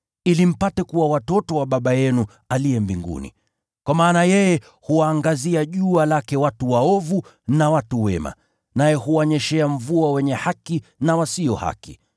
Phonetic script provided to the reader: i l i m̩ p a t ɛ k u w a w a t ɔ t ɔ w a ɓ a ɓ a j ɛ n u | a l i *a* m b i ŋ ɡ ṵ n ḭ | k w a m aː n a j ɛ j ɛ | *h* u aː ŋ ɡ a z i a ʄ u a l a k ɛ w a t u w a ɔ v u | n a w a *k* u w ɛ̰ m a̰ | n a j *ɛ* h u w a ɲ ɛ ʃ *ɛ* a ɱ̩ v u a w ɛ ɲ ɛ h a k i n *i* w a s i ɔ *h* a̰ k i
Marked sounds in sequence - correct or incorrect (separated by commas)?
incorrect, correct, incorrect, correct, correct, incorrect, correct